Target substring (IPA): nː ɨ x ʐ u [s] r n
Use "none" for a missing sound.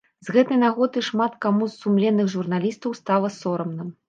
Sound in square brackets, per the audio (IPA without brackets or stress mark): none